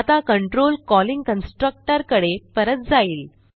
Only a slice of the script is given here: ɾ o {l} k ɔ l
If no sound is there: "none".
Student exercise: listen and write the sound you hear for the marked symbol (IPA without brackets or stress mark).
l